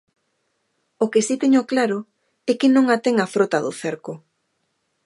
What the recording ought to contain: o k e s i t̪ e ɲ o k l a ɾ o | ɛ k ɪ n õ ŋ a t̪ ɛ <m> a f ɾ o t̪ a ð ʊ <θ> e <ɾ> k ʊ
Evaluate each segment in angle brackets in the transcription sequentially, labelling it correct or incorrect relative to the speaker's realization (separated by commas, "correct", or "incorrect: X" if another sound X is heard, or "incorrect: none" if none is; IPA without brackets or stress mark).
incorrect: ŋ, correct, correct